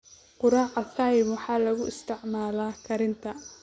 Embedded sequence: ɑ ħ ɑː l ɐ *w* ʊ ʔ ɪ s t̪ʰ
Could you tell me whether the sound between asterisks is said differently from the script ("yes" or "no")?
yes